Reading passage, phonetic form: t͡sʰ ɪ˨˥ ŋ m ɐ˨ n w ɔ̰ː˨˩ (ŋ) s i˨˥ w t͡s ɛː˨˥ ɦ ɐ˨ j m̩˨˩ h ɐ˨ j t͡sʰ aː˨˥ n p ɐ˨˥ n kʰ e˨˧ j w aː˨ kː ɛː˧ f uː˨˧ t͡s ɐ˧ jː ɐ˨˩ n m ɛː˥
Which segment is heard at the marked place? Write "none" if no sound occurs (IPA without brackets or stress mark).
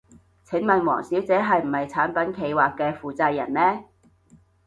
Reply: ŋ